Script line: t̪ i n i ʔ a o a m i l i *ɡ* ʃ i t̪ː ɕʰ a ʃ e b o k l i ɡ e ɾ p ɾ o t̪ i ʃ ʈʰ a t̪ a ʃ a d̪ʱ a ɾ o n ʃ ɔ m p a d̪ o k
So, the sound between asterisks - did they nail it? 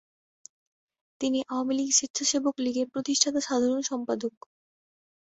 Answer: yes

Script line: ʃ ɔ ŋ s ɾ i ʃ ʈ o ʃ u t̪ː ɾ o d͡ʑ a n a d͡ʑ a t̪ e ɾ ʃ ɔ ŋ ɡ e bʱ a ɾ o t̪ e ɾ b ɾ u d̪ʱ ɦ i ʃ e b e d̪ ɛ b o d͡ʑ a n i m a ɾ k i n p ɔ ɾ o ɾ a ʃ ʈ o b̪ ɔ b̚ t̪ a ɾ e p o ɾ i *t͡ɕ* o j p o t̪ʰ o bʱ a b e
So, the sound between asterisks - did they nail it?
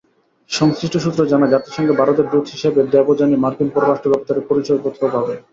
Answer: yes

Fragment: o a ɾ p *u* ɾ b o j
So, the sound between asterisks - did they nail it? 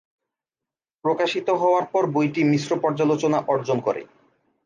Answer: no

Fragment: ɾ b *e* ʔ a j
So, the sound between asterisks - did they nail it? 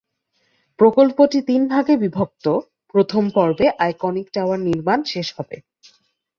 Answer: yes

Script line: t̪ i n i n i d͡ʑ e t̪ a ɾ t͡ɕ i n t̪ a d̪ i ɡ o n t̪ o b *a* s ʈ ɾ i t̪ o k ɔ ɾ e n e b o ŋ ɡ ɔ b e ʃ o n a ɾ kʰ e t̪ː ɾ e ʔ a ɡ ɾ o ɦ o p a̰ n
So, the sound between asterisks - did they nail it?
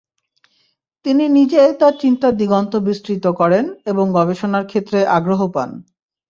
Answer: no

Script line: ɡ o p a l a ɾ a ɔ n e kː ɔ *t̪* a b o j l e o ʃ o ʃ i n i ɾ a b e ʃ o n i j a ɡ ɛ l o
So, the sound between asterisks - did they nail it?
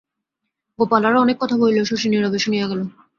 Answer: no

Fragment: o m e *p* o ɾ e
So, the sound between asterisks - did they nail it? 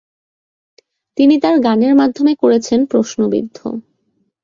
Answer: no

